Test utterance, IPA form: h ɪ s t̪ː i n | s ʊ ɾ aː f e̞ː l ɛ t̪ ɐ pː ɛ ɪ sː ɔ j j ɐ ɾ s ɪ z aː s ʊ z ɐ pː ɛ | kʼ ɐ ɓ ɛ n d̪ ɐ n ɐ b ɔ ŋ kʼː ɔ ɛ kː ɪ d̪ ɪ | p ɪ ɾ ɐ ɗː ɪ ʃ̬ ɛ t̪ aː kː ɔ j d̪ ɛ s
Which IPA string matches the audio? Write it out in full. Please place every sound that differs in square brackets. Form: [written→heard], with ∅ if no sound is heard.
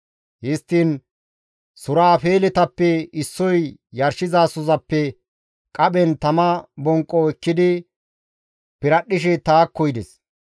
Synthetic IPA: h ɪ s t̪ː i n | s ʊ ɾ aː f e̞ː l ɛ t̪ ɐ pː ɛ ɪ sː ɔ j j ɐ ɾ [s→ʃ] ɪ z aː s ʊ z ɐ pː ɛ | kʼ ɐ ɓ ɛ n [d̪→t̪] ɐ [n→m] ɐ b ɔ ŋ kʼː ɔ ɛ kː ɪ d̪ ɪ | p ɪ ɾ ɐ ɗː ɪ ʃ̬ ɛ t̪ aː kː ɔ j d̪ ɛ s